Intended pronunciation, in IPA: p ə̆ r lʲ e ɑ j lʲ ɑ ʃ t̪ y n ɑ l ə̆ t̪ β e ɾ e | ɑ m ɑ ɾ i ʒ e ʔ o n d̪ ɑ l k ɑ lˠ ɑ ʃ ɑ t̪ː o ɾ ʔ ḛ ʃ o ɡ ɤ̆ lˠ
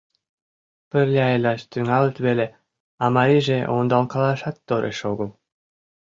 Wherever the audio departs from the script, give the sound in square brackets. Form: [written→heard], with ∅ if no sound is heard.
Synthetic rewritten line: p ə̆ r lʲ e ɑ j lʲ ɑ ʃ t̪ y [n→ŋ] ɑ l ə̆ t̪ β e [ɾ→l] e | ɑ m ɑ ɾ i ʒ e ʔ o n d̪ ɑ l k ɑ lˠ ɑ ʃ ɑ t̪ː o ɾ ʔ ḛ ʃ o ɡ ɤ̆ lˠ